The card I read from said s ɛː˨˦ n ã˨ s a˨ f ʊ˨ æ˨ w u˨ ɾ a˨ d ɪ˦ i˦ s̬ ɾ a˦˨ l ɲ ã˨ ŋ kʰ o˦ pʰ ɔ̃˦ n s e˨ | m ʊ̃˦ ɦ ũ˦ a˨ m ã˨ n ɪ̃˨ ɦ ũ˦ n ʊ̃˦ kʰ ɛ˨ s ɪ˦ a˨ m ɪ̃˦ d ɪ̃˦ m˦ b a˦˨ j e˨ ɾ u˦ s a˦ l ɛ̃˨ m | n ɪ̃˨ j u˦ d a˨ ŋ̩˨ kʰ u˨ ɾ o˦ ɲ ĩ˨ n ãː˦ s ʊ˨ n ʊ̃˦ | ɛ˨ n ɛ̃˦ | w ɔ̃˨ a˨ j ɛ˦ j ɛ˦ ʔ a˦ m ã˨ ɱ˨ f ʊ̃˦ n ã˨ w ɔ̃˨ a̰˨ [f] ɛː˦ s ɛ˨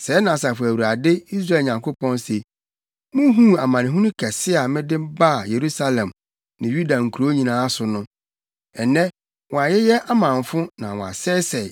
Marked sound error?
yes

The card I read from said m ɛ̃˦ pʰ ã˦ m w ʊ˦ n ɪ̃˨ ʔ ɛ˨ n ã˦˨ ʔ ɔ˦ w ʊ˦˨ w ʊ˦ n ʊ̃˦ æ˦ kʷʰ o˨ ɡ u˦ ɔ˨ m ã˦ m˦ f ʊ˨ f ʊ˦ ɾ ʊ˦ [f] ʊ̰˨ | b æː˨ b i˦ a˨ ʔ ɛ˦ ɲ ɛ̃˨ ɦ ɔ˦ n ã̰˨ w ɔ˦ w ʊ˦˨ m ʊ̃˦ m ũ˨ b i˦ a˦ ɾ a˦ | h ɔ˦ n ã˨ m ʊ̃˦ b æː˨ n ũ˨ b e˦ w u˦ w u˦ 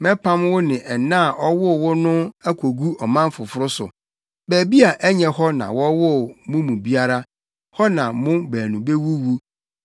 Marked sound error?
yes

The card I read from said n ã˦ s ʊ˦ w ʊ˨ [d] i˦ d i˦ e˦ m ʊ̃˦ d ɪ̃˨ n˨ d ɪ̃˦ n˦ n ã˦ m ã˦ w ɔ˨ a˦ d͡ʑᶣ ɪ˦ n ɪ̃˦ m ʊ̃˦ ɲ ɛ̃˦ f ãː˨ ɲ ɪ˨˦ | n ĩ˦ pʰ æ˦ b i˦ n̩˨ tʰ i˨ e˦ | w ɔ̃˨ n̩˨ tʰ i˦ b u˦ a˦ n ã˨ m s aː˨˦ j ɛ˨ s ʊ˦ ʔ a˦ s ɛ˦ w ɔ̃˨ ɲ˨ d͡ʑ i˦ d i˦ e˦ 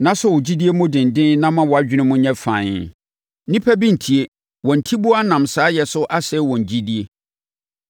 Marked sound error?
yes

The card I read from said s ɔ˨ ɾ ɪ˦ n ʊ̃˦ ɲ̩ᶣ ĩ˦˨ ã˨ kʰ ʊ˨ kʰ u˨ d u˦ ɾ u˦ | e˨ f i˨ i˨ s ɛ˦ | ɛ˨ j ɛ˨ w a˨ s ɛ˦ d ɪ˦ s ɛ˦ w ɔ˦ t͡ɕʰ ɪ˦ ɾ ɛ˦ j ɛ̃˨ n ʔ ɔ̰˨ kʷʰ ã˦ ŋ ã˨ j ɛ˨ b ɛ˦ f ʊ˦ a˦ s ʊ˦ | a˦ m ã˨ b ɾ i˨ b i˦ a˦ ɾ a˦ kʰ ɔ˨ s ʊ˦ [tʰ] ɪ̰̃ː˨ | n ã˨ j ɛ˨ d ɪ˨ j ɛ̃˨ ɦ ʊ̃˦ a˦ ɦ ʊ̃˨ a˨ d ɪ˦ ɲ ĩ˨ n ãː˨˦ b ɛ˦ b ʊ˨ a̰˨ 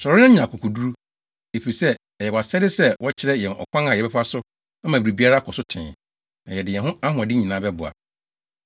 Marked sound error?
no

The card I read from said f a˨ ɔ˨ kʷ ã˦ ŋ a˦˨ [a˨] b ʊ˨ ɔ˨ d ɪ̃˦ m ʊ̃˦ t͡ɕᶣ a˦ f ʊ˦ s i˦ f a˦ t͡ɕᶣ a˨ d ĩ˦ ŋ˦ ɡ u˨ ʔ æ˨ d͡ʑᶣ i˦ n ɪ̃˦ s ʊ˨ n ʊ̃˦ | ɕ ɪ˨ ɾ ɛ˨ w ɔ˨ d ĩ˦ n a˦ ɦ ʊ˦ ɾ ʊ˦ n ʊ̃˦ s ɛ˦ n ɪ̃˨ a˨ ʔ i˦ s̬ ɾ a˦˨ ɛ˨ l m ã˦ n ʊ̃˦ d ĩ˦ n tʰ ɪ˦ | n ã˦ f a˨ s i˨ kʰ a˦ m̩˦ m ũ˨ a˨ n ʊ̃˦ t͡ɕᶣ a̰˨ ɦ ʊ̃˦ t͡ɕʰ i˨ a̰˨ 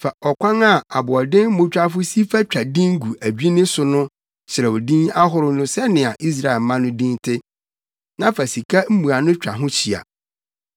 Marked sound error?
no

